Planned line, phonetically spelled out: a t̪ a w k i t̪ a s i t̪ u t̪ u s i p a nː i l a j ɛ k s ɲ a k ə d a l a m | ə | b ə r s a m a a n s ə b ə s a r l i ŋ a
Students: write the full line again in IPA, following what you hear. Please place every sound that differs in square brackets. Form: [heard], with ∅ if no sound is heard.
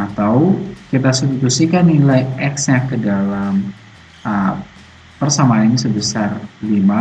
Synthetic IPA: a t̪ a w k i t̪ a s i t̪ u t̪ u s i [k] a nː i l a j ɛ k s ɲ a k ə d a l a m | ə | [p] ə r s a m a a n s ə b ə s a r l i [m] a